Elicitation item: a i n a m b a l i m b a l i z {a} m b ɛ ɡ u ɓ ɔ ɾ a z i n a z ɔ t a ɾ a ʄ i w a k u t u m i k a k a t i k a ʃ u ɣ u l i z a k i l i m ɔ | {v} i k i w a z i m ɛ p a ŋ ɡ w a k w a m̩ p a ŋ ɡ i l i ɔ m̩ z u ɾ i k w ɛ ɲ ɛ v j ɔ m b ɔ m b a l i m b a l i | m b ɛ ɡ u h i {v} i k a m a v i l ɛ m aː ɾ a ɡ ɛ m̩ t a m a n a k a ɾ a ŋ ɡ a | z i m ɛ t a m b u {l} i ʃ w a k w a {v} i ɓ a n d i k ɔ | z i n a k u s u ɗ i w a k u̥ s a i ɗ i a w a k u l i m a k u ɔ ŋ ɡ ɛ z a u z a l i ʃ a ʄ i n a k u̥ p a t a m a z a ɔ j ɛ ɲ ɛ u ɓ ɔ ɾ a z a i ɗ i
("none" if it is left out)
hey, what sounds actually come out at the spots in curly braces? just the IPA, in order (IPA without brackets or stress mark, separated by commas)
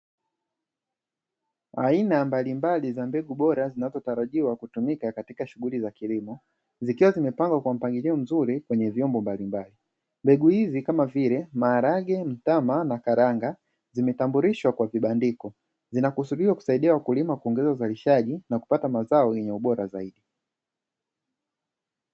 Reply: a, z, z, ɾ, v